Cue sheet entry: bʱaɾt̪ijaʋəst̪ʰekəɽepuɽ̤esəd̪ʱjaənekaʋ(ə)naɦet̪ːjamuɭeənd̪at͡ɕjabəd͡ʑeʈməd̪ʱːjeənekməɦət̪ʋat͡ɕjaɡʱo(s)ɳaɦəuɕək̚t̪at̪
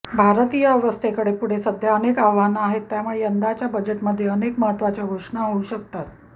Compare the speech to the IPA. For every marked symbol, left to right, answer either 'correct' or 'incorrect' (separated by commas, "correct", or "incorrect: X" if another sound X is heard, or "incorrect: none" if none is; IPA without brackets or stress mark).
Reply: incorrect: a, incorrect: ʂ